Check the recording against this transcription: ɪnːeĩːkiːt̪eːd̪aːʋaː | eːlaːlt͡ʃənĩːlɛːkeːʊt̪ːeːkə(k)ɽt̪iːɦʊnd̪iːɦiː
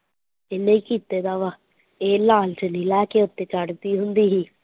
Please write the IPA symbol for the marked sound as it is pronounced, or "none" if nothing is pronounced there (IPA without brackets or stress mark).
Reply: none